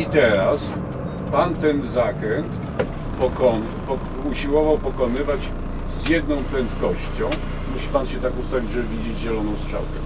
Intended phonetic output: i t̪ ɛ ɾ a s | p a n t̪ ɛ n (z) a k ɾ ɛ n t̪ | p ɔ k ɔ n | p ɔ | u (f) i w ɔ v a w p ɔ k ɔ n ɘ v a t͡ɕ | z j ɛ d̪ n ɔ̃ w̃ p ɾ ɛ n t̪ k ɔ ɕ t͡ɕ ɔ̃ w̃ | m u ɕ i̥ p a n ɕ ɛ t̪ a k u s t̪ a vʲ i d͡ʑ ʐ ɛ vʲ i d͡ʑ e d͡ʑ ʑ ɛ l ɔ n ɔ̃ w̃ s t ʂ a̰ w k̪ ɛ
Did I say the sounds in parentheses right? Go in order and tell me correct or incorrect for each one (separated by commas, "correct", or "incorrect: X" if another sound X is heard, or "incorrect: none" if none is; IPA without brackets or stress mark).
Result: correct, incorrect: ɕ